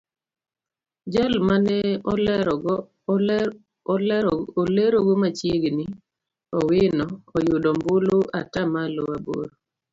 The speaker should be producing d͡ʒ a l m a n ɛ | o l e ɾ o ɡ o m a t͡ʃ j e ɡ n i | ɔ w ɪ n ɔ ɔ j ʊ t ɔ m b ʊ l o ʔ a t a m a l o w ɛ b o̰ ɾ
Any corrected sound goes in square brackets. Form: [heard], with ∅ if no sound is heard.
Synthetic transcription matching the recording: d͡ʒ a l m a n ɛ | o l e ɾ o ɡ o m a t͡ʃ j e ɡ n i | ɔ w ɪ n ɔ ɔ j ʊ [d] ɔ m b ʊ l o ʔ a t a m a l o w [a] b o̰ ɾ